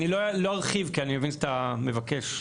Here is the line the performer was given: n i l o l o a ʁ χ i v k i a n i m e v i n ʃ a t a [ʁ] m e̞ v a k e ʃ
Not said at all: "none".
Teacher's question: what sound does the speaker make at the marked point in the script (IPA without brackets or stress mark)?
none